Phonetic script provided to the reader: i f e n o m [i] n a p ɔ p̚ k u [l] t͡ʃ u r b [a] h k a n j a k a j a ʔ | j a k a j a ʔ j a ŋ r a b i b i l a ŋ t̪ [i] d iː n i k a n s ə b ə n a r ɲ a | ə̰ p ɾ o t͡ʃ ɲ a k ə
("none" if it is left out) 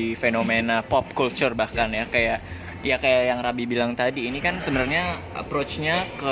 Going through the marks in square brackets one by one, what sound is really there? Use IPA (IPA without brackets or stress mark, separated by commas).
e, l, a, a